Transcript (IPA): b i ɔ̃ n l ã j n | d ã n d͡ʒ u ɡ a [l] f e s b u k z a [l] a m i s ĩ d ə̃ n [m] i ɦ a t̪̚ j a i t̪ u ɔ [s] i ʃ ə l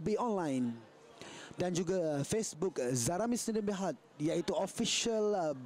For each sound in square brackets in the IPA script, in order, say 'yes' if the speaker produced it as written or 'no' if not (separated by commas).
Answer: no, no, no, no